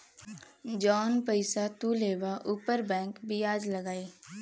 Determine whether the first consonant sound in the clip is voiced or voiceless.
voiced